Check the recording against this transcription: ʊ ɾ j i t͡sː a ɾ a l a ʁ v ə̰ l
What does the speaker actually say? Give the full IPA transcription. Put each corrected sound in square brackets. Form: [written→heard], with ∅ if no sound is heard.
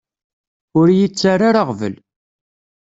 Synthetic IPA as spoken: ʊ ɾ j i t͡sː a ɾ a [l→ɾ] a ʁ v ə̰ l